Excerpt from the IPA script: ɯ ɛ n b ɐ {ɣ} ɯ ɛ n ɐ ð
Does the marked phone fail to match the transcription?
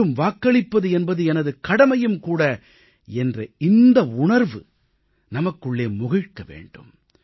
yes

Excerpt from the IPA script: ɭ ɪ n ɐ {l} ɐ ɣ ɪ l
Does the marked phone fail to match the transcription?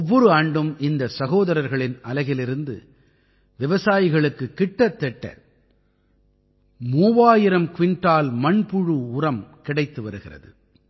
no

